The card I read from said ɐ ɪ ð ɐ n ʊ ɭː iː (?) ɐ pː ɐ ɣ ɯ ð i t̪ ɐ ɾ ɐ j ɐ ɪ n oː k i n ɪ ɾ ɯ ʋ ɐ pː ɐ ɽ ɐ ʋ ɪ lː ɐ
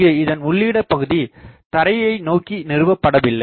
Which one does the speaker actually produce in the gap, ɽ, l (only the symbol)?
ɽ